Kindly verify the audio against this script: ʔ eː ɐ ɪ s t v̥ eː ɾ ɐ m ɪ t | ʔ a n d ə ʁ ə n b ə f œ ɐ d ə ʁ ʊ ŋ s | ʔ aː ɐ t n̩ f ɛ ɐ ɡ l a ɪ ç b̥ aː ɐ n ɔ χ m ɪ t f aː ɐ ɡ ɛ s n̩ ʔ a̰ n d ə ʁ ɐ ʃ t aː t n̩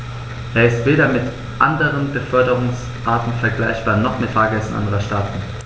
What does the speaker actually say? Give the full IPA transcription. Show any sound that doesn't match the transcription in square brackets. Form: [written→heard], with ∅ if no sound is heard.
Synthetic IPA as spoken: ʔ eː ɐ ɪ s t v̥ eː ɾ ɐ m ɪ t | ʔ a n d ə ʁ ə n b ə f œ ɐ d ə ʁ ʊ ŋ s | ʔ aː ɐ t n̩ f ɛ ɐ ɡ l a ɪ ç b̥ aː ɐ n ɔ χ m ɪ t f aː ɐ ɡ ɛ s n̩ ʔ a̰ n d ə ʁ ɐ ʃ t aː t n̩

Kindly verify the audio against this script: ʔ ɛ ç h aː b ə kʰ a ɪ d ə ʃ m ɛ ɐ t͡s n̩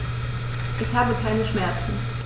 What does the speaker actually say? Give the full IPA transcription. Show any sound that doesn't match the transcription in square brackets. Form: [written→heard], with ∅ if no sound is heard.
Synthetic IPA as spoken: ʔ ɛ ç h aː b ə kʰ a ɪ [d→n] ə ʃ m ɛ ɐ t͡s n̩

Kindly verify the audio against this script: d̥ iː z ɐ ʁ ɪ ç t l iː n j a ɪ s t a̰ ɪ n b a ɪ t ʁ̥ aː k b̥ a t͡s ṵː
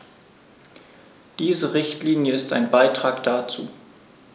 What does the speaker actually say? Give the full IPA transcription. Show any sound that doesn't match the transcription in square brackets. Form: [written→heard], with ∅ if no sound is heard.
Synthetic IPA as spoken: d̥ iː z [ɐ→ə] ʁ ɪ ç t l iː n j [a→ə] ɪ s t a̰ ɪ n b a ɪ t ʁ̥ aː k [b̥→d̥] a t͡s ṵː

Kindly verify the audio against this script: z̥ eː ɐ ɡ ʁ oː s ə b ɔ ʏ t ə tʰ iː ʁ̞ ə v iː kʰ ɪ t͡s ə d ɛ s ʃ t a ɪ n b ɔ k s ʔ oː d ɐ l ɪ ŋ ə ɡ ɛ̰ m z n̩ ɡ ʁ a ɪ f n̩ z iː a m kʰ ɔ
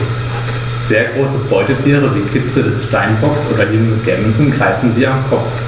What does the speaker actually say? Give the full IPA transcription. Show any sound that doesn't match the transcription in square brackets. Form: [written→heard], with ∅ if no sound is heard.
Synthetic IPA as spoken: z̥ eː ɐ ɡ ʁ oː s ə b ɔ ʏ t ə tʰ iː ʁ̞ ə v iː kʰ ɪ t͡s ə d ɛ s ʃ t a ɪ n b ɔ k s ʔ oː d ɐ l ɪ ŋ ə ɡ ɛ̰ m z n̩ ɡ ʁ a ɪ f n̩ z iː a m kʰ ɔ

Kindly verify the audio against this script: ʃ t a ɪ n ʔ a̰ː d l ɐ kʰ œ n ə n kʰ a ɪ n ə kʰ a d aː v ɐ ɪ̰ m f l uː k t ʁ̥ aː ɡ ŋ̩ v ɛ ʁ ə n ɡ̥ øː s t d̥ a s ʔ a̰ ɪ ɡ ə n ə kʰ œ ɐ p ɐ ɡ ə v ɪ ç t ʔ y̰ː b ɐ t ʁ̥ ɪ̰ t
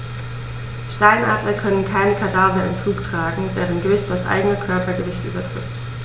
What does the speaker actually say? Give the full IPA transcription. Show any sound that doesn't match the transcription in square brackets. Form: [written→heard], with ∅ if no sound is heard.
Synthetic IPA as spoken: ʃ t a ɪ n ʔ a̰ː d l ɐ kʰ œ n ə n kʰ a ɪ n ə kʰ a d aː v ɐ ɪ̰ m f l uː k t ʁ̥ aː ɡ ŋ̩ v [ɛ→ɛː] ʁ ə n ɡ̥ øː s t d̥ a s ʔ a̰ ɪ ɡ ə n ə kʰ œ ɐ p ɐ ɡ ə v ɪ ç t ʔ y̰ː b ɐ t ʁ̥ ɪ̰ t

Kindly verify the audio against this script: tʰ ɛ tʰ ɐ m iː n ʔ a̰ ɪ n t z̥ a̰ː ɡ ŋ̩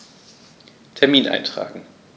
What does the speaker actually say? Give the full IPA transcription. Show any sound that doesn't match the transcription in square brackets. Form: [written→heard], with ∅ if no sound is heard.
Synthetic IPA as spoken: tʰ ɛ [tʰ→∅] ɐ m iː n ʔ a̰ ɪ n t [z̥→ʁ̥] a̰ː ɡ ŋ̩

